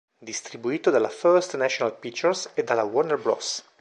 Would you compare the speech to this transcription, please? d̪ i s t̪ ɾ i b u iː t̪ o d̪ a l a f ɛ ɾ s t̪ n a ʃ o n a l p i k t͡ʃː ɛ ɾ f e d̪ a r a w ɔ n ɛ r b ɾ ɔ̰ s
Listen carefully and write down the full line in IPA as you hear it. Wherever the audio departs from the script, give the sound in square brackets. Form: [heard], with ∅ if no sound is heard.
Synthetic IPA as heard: d̪ i s t̪ ɾ i b u iː t̪ o d̪ a l a f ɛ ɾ s t̪ n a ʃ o n a l p i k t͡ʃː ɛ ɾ [s] e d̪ a [l] a w ɔ n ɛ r b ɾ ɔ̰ s